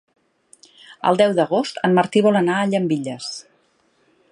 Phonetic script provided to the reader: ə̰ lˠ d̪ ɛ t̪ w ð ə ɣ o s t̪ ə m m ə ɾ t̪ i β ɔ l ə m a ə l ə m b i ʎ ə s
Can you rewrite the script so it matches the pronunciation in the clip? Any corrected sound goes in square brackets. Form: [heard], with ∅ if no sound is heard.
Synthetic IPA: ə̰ lˠ d̪ ɛ [∅] w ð ə ɣ o s t̪ ə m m ə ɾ t̪ i β ɔ l ə [n] a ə [ʎ] ə m b i ʎ ə s